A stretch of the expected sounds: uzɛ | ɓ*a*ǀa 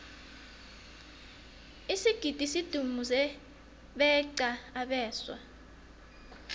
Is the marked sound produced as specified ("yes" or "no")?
no